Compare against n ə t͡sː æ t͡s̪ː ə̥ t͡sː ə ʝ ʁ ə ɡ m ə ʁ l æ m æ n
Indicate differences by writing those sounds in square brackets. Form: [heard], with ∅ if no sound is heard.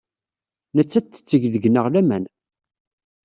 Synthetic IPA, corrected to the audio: n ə t͡sː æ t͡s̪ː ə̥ t͡sː ə ʝ [ð] ə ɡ [n] ə ʁ l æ m æ n